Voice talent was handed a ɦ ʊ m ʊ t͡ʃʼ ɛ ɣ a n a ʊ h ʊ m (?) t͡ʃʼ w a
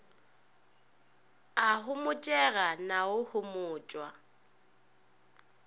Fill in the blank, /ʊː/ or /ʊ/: ʊː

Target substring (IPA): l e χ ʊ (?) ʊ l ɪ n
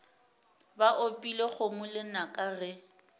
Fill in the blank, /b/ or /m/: m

